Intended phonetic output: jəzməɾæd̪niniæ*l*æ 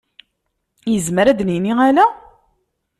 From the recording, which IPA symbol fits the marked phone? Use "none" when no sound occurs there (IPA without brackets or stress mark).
l